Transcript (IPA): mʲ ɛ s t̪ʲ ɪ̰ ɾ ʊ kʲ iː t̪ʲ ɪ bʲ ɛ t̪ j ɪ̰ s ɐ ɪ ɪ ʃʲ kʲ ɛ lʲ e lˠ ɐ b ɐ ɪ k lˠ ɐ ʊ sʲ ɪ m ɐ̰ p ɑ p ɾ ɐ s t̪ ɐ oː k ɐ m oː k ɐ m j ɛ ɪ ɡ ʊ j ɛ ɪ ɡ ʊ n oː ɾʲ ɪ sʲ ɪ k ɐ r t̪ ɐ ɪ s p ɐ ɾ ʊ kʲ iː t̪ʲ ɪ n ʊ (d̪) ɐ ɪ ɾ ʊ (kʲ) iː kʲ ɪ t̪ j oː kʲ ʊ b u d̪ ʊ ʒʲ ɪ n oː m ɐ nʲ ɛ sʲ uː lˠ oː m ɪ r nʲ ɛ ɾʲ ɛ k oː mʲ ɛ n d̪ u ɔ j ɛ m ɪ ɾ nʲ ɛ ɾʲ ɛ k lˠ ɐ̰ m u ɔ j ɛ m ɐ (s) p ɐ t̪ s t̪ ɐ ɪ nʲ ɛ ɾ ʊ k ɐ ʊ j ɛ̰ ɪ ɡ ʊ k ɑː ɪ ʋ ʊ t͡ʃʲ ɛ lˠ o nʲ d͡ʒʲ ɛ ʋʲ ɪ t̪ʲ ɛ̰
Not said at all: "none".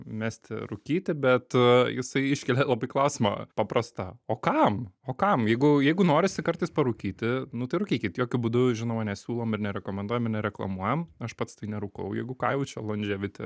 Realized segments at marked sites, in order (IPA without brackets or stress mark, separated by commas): t̪, kʲ, ʃ